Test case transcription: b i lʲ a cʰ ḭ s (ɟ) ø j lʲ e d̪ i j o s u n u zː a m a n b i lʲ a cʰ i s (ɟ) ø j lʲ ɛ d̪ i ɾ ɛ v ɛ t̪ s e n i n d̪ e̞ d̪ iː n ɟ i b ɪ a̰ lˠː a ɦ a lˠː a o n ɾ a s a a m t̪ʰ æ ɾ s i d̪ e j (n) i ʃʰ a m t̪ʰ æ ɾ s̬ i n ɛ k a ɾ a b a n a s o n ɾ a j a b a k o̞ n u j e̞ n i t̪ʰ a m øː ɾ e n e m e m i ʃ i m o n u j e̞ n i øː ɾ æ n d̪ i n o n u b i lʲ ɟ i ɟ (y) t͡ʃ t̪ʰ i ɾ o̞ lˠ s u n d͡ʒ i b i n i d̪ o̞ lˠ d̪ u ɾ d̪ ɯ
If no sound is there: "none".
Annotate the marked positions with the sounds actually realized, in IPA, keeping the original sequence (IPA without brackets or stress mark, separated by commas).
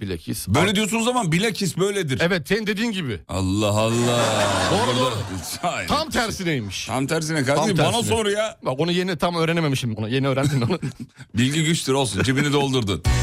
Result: b, b, m, y